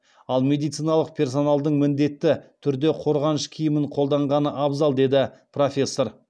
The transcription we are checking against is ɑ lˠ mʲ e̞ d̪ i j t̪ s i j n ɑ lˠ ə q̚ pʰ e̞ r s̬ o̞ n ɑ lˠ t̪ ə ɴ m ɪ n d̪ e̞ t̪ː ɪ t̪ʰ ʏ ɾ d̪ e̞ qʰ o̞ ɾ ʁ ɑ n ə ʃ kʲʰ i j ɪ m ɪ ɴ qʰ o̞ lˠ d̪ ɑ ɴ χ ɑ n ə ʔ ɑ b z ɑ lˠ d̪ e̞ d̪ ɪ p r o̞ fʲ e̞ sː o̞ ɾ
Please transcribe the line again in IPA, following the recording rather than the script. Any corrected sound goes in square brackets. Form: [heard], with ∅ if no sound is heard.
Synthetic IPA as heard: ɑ lˠ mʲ e̞ d̪ i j t̪ s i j n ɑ lˠ ə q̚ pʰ e̞ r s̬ o̞ n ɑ lˠ [d̪] ə ɴ m ɪ n d̪ e̞ t̪ː ɪ t̪ʰ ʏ ɾ d̪ e̞ qʰ o̞ ɾ ʁ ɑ n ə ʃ kʲʰ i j ɪ m ɪ ɴ qʰ o̞ lˠ d̪ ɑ ɴ [ʁ] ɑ n ə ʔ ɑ b z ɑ lˠ d̪ e̞ d̪ ɪ p r o̞ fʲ e̞ sː o̞ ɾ